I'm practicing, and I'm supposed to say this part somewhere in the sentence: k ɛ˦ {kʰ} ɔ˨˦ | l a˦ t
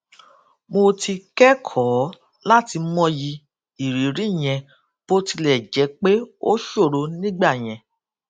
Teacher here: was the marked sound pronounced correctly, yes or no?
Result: yes